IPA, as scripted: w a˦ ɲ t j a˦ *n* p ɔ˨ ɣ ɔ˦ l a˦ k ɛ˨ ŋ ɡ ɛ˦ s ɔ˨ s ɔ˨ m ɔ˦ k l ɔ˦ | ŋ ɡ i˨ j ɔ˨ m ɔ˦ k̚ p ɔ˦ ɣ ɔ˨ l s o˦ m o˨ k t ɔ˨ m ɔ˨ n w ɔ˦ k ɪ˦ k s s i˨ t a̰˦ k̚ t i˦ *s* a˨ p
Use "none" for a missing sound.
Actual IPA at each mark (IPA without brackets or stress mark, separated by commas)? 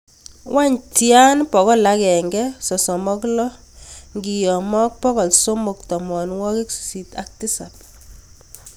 n, s